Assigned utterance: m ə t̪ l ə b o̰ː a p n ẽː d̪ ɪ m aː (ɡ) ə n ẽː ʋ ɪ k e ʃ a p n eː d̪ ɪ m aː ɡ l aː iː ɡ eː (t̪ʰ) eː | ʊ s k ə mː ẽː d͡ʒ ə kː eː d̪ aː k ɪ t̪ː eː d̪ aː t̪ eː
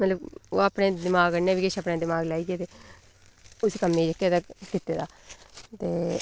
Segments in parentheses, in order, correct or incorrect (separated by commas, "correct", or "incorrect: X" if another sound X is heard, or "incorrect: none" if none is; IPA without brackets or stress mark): correct, incorrect: t̪